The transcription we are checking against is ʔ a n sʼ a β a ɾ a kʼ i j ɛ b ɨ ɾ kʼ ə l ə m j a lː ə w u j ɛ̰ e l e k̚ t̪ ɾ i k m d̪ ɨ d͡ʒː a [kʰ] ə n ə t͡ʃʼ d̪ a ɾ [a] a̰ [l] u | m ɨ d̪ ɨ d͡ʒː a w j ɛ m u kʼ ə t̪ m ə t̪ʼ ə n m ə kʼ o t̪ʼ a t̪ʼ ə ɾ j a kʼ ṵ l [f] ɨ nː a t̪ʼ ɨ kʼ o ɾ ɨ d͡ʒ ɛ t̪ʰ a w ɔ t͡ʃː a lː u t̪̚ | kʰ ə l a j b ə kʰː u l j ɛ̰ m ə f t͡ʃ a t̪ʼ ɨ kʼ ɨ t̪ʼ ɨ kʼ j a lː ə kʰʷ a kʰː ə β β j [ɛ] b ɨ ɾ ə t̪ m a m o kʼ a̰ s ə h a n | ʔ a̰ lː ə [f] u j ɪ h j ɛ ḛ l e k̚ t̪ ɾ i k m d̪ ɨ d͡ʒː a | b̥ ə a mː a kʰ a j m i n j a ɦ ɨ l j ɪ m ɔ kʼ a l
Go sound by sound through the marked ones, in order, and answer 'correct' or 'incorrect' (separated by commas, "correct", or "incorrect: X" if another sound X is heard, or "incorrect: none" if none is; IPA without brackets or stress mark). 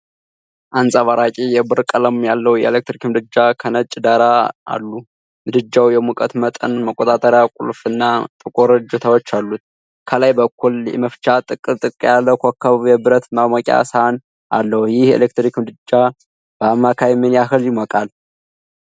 correct, correct, incorrect: lː, correct, correct, incorrect: h